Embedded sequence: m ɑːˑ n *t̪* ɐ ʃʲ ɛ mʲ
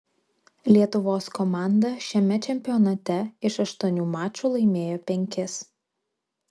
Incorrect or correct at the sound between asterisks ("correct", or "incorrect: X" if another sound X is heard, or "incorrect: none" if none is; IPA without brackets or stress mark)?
incorrect: d̪